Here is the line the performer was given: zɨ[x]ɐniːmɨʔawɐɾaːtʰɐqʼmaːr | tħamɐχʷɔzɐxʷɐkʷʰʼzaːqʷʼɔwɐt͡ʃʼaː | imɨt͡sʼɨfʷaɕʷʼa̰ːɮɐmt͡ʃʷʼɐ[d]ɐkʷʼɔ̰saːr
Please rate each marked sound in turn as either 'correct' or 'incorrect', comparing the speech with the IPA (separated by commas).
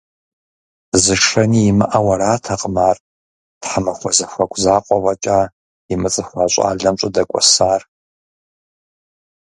incorrect, correct